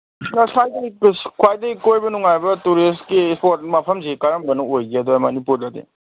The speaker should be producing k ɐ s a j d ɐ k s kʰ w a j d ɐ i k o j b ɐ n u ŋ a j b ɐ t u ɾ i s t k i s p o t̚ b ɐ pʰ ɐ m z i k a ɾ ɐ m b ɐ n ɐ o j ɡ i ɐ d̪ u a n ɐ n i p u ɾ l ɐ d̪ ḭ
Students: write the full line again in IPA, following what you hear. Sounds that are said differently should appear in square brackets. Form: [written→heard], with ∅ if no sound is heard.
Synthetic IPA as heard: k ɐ s a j d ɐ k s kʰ w a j d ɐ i k o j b ɐ n u ŋ a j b ɐ t u ɾ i s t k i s p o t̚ [b→m] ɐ pʰ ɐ m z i k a ɾ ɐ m b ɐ n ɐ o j ɡ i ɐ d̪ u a [n→m] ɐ n i p u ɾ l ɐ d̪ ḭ